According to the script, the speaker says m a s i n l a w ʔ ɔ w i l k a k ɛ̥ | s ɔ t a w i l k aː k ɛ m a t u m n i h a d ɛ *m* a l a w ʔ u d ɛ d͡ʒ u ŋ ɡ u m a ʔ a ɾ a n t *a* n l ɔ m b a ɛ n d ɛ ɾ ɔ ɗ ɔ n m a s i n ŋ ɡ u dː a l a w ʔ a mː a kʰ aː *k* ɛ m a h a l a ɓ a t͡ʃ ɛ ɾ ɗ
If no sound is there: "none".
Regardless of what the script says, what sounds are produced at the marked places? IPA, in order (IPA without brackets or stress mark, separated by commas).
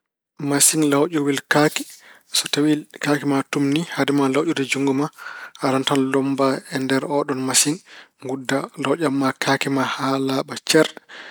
m, a, k